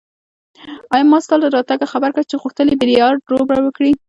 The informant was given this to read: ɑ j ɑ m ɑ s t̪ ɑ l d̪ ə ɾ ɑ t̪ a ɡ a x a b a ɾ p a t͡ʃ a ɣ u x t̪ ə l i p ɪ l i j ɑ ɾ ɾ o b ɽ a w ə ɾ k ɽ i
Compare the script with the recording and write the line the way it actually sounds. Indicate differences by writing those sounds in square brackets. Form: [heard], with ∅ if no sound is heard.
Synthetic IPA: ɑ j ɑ m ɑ s t̪ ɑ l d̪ ə ɾ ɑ t̪ a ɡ a x a b a ɾ [k] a t͡ʃ [e] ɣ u x t̪ ə l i [b] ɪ [ɾ] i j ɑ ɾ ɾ o b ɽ a w ə [∅] k ɽ i